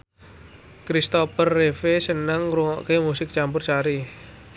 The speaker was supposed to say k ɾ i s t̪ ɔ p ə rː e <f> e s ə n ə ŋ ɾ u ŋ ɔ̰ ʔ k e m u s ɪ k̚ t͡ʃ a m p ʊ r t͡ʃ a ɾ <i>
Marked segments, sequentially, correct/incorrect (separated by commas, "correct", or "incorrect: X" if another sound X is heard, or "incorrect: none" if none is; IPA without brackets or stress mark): correct, correct